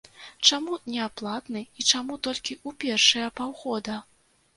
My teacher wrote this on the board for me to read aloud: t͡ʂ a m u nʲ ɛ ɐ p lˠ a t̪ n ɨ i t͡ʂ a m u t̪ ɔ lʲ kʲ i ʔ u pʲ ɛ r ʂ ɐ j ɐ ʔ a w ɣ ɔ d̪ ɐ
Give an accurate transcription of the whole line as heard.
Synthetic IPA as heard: t͡ʂ a m u nʲ ɛ a p lˠ a t̪ n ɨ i t͡ʂ a m u t̪ ɔ lʲ kʲ i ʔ u pʲ ɛ r ʂ ɐ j ɐ p a w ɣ ɔ d̪ ɐ

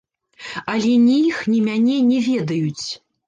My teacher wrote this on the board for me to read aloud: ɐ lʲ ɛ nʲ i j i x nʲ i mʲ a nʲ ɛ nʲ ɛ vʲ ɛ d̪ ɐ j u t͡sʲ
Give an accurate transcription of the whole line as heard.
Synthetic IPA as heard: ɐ lʲ ɛ nʲ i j i x nʲ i mʲ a nʲ ɛ nʲ ɛ vʲ ɛ d̪ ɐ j u t͡sʲ

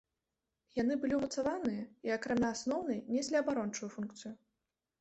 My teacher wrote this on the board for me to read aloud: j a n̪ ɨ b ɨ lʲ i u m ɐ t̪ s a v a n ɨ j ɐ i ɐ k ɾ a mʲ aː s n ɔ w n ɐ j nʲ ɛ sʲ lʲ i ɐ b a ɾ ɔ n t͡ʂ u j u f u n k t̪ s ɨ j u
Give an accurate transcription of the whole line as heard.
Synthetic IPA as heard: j a n̪ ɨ b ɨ lʲ i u m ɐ t̪ s a v a n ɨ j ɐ i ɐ k ɾ a mʲ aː s n ɔ w n ɐ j nʲ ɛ sʲ lʲ i ɐ b a ɾ ɔ n t͡ʂ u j u f u n k t̪ s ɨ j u

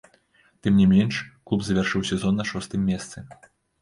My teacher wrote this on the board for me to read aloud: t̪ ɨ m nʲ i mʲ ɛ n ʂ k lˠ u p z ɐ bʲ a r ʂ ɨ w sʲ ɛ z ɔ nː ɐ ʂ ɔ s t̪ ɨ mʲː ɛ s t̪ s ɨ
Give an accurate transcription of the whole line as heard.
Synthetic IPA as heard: t̪ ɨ m nʲ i mʲ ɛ n ʂ k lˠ u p z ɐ vʲ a r ʂ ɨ w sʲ ɛ z ɔ nː ɐ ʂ ɔ s t̪ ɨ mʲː ɛ s t̪ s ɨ

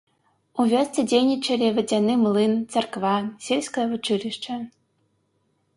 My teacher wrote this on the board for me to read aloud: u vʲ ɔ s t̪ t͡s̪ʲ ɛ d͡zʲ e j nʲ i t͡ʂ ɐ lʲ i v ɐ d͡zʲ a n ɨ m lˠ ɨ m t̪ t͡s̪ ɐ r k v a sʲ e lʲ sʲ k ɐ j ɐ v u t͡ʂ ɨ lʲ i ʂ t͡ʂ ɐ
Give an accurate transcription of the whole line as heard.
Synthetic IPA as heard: u vʲ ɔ s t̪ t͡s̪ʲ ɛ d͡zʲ e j nʲ i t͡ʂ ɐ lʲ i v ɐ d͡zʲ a n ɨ m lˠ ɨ n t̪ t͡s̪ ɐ r k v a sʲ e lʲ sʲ k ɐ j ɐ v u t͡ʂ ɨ lʲ i ʂ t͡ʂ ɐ

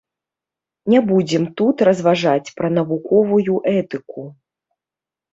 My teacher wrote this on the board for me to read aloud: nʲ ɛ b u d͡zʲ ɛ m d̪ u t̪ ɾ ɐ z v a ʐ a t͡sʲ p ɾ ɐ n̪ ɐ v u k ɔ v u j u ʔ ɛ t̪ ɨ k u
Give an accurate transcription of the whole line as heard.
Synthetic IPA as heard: nʲ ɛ b u d͡zʲ ɛ m t̪ u t̪ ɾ ɐ z v a ʐ a t͡sʲ p ɾ ɐ n̪ ɐ v u k ɔ v u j u ʔ ɛ t̪ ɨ k u

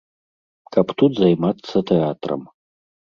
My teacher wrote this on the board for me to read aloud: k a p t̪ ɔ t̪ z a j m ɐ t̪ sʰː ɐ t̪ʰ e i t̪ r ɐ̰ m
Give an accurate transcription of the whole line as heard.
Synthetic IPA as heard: k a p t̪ u t̪ z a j m a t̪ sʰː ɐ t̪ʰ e a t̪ r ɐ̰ m

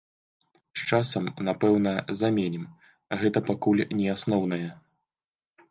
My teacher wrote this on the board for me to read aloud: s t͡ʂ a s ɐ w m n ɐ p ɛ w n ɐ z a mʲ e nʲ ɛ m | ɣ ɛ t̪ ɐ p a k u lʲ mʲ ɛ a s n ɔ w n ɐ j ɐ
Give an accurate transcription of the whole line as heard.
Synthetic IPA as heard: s t͡ʂ a s ɐ m n a p ɛ w n ɐ z a mʲ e nʲ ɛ m | ɣ ɛ t̪ ɐ p a k u lʲ nʲ ɛ a s n ɔ w n ɐ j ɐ

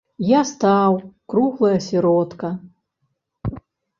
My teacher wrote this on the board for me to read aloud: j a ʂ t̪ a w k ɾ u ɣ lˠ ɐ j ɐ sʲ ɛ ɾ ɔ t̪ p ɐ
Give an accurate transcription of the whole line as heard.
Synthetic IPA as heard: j a s t̪ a w k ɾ u ɣ lˠ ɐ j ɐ sʲ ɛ ɾ ɔ t̪ k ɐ

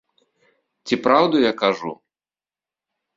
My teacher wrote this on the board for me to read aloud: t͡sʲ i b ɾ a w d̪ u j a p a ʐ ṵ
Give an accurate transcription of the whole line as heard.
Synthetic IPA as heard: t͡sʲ i p ɾ a w d̪ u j a k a ʐ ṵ

